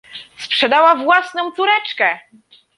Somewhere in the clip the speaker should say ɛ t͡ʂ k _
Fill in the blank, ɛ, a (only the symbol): ɛ